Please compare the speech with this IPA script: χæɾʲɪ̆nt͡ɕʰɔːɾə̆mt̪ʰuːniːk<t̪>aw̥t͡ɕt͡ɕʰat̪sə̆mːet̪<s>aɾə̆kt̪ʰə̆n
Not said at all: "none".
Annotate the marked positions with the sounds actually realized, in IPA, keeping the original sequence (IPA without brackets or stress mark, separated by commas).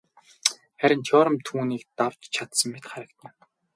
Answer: t̪, χ